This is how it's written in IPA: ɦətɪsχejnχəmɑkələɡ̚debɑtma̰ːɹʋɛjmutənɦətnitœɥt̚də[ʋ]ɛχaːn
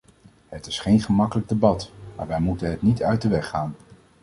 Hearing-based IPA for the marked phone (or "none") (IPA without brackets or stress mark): ʋ